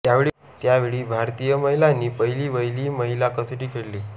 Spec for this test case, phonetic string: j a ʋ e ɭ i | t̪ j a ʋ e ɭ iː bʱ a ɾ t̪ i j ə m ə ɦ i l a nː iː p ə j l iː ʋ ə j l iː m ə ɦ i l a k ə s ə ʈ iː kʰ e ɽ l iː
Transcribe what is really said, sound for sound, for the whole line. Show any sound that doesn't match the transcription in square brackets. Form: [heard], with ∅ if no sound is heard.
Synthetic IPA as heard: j a ʋ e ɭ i | t̪ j a ʋ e ɭ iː bʱ a ɾ t̪ i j ə m ə ɦ i l a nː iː p ə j l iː ʋ ə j l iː m ə ɦ i l a k ə s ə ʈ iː kʰ e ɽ l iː

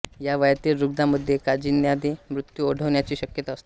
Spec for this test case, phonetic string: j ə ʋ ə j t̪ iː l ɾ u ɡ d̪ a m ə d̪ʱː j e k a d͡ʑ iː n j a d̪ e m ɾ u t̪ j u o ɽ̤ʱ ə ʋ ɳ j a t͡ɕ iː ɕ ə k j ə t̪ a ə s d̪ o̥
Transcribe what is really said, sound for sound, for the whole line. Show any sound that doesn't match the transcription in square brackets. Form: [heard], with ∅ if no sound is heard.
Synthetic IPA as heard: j [a] ʋ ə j t̪ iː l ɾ u ɡ d̪ a m ə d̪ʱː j e k a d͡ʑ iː n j a d̪ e m ɾ u t̪ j u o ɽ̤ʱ ə ʋ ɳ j a t͡ɕ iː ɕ ə k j ə t̪ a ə s [t̪] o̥

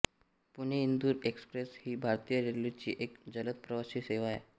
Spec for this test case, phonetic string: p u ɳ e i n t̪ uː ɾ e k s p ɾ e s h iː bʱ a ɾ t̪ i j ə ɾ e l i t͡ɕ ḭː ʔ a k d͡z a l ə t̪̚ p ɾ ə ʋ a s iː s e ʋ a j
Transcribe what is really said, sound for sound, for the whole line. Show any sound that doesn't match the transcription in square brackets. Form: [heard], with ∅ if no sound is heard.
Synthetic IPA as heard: p u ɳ e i n [d̪] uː ɾ e k s p ɾ e s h iː bʱ a ɾ t̪ i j ə ɾ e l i t͡ɕ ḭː ʔ [e] k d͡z [ə] l ə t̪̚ p ɾ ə ʋ a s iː s e ʋ a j

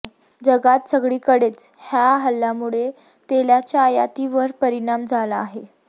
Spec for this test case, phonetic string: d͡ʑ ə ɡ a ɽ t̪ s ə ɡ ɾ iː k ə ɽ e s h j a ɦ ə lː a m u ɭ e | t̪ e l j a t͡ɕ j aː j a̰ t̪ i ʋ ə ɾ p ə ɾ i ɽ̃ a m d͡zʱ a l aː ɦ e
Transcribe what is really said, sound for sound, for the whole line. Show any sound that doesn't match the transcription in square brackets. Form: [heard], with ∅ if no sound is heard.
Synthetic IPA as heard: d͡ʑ ə ɡ a [∅] t̪ s ə ɡ [ɭ] iː k ə ɽ e [t͡s] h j a ɦ ə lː a m u ɭ e | t̪ e l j a t͡ɕ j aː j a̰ t̪ i ʋ ə ɾ p ə ɾ i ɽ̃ a m d͡zʱ a l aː ɦ e

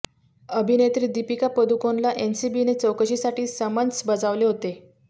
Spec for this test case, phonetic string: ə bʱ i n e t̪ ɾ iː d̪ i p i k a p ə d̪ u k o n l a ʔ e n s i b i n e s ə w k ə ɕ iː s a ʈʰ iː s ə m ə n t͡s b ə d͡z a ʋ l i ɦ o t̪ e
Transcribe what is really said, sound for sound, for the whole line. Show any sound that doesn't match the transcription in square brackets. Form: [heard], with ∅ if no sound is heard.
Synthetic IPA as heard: ə bʱ i n e t̪ ɾ iː d̪ i p i k a p ə d̪ u k o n l a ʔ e n s i b i n e [t͡s] ə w k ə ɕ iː s a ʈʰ iː s ə m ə n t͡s b ə d͡z a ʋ l [e] ɦ o t̪ e

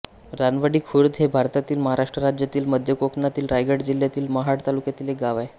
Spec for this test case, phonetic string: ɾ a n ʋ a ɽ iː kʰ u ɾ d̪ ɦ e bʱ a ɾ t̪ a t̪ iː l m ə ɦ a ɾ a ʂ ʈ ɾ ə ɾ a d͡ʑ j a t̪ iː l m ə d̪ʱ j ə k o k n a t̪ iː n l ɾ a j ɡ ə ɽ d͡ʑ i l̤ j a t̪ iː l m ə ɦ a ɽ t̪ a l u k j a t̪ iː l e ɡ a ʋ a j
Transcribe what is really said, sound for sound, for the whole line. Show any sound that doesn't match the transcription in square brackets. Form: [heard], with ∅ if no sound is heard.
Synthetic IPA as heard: ɾ a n ʋ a ɽ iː kʰ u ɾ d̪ ɦ e bʱ a ɾ t̪ a t̪ iː l m ə ɦ a ɾ a ʂ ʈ ɾ ə ɾ a d͡ʑ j a t̪ iː l m ə d̪ʱ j ə k o k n a t̪ iː [∅] l ɾ a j ɡ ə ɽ d͡ʑ i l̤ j a t̪ iː l m ə ɦ a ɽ t̪ a l u k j a t̪ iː l e ɡ a ʋ a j

